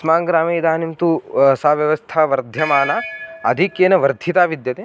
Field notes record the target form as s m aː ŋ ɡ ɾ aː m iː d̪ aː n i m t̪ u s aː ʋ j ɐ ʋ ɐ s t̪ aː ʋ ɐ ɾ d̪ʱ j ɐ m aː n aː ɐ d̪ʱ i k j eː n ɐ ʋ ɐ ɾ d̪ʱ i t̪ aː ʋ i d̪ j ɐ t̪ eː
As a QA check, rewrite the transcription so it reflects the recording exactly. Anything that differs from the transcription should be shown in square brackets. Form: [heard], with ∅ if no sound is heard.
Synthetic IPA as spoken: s m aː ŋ ɡ ɾ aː m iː d̪ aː n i m t̪ u s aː ʋ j ɐ ʋ ɐ s [t̪ʰ] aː ʋ ɐ ɾ d̪ʱ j ɐ m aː n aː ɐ d̪ʱ i k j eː n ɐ ʋ ɐ ɾ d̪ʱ i t̪ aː ʋ i d̪ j ɐ t̪ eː

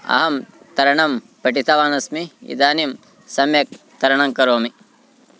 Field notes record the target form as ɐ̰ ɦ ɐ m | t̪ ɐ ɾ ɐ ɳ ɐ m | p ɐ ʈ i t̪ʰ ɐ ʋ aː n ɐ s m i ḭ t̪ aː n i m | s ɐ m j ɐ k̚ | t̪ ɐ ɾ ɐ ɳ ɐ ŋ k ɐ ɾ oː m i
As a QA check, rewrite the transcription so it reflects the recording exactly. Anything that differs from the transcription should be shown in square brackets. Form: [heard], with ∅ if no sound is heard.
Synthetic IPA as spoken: ɐ̰ ɦ ɐ m | t̪ ɐ ɾ ɐ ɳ ɐ m | p ɐ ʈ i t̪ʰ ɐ ʋ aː n ɐ s m i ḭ [d̪] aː n i m | s ɐ m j ɐ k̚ | t̪ ɐ ɾ ɐ ɳ ɐ ŋ k ɐ ɾ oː m i

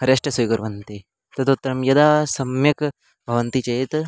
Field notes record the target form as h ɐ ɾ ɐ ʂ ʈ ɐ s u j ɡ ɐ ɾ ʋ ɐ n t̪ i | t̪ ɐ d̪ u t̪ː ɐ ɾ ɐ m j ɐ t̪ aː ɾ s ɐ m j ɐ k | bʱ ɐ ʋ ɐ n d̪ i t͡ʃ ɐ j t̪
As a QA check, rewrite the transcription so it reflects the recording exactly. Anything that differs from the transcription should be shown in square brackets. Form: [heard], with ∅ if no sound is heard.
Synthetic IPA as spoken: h ɐ ɾ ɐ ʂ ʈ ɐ s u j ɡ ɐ ɾ ʋ ɐ n t̪ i | t̪ ɐ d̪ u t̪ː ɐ ɾ ɐ m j ɐ [d̪] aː [∅] s ɐ m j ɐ k | bʱ ɐ ʋ ɐ n [t̪] i t͡ʃ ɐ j t̪

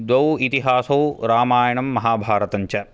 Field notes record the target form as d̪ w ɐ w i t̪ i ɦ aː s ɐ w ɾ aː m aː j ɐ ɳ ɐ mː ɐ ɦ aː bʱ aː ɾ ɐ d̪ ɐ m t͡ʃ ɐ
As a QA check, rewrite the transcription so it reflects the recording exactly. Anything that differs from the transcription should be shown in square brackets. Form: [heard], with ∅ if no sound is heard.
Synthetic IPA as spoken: d̪ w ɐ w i t̪ i ɦ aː s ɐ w ɾ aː m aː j ɐ ɳ ɐ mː ɐ ɦ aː bʱ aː ɾ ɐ [t̪] ɐ [ɲ] t͡ʃ ɐ

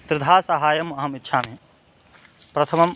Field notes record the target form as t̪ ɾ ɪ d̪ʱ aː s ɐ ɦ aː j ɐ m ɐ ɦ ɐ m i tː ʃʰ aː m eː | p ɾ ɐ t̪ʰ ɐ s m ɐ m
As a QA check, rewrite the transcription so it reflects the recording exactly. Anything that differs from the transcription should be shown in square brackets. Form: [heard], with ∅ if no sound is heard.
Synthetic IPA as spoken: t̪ ɾ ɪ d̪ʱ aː s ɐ ɦ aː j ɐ m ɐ ɦ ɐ m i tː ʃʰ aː m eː | p ɾ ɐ t̪ʰ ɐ [∅] m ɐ m

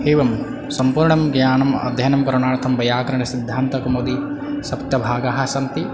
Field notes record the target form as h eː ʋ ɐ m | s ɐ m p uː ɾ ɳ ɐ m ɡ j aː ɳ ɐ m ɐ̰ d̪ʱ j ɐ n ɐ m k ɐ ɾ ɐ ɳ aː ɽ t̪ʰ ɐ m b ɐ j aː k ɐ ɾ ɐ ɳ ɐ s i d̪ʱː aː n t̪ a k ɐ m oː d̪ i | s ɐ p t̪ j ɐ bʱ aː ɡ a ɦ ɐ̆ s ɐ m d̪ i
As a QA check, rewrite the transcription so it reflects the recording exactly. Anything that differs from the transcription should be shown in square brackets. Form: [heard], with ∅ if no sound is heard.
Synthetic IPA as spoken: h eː ʋ ɐ m | s ɐ m p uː ɾ ɳ ɐ m ɡ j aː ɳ ɐ m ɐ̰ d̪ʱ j ɐ n ɐ m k ɐ ɾ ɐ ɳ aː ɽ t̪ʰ ɐ m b ɐ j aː k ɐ ɾ ɐ ɳ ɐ s i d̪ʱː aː n t̪ [ɐ] k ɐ m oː d̪ i | s ɐ p t̪ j ɐ bʱ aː ɡ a ɦ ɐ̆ s ɐ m [t̪] i

